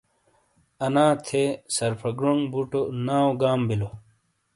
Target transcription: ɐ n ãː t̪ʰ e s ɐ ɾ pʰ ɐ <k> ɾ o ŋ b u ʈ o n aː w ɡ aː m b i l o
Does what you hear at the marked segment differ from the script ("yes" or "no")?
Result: yes